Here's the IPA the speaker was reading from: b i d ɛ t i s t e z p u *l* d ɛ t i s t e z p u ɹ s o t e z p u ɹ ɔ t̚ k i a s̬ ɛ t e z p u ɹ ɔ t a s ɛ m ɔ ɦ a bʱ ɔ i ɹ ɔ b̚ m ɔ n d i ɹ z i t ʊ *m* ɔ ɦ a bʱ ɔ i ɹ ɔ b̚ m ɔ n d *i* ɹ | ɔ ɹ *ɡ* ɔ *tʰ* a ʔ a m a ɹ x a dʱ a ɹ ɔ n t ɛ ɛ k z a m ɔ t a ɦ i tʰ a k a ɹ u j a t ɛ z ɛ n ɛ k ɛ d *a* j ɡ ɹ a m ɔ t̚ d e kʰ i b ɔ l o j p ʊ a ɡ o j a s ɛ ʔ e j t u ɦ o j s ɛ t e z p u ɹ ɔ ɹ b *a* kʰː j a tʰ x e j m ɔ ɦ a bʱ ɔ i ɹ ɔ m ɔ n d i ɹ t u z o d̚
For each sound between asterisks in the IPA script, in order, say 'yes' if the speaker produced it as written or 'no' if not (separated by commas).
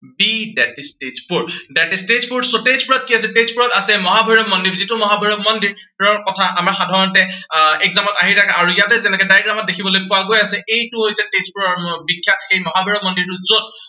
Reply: no, yes, yes, no, yes, yes, no